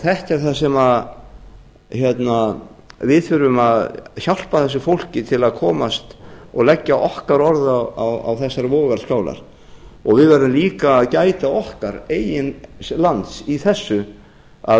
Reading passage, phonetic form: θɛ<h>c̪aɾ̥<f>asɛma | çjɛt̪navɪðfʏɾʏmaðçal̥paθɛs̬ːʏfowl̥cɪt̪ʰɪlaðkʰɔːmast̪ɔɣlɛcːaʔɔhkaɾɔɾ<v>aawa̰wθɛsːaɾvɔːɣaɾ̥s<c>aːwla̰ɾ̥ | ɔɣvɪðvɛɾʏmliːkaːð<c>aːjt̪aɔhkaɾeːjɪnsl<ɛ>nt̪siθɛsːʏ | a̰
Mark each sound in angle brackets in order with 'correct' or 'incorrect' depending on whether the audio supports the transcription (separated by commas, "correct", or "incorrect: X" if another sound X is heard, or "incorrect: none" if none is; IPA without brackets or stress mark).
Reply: correct, incorrect: θ, incorrect: ð, incorrect: k, correct, incorrect: a